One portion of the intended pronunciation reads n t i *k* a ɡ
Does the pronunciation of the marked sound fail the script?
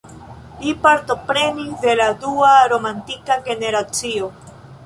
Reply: no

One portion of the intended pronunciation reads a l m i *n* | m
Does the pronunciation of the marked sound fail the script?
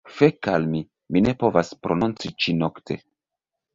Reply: yes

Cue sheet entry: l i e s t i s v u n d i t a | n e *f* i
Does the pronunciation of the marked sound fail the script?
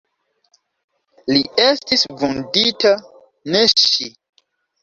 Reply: yes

